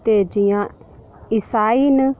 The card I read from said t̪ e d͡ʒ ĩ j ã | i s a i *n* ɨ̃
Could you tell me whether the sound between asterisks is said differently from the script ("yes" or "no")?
no